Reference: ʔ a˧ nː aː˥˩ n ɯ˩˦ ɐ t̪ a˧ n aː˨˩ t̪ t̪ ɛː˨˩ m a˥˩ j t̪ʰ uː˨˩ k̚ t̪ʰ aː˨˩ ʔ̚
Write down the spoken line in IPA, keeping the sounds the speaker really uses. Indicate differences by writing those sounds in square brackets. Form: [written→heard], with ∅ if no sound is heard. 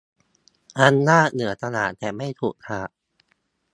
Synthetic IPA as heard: ʔ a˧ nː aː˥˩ n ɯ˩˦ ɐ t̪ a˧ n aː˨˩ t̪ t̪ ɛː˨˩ m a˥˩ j t̪ʰ uː˨˩ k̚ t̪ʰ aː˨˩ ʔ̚